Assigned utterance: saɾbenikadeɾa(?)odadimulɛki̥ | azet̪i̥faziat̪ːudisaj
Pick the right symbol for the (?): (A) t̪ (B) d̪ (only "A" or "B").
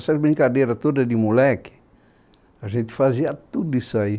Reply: A